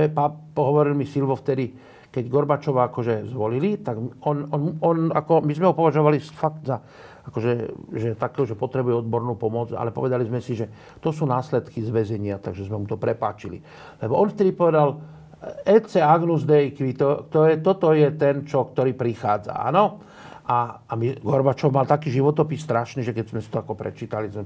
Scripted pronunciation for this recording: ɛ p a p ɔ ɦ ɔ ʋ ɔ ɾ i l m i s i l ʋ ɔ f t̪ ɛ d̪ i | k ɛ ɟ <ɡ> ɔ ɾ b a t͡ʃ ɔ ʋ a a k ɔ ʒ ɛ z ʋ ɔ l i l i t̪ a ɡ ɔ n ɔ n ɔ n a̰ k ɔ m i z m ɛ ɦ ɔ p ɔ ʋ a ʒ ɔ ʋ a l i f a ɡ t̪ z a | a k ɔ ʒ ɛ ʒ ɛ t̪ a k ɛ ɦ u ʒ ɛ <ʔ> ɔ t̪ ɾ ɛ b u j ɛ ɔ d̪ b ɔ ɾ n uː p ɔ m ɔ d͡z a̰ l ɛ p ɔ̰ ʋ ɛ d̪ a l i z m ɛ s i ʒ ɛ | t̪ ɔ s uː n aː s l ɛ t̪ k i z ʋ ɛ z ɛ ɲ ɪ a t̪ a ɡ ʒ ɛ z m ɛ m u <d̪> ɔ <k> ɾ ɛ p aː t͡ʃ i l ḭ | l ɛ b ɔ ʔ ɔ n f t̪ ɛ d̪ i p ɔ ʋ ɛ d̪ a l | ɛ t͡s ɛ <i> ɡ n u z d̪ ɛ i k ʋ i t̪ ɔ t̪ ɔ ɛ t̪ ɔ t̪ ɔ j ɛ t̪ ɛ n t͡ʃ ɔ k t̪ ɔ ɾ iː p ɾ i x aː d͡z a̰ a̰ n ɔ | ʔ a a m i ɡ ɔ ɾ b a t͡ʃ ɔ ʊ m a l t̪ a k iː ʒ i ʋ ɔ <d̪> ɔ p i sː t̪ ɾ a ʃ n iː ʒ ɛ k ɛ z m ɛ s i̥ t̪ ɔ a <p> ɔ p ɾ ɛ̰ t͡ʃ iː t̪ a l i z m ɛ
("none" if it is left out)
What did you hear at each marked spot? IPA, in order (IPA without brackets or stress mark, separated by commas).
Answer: ɡ, p, t̪, p, a, t̪, k